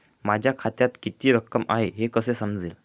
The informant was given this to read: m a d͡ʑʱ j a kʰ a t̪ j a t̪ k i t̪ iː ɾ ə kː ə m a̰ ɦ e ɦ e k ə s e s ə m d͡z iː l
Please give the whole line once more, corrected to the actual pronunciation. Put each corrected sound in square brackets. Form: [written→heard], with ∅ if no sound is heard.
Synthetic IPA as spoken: m a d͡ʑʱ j a kʰ a t̪ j a t̪ k i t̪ iː ɾ ə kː ə m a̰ ɦ e ɦ e k ə s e s ə m d͡z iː l